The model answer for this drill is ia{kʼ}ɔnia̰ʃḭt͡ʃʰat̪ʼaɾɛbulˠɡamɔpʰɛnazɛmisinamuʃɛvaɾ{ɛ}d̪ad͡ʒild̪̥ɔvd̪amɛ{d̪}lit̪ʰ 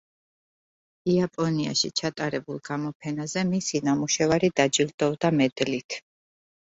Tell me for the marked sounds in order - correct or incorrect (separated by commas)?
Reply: incorrect, incorrect, correct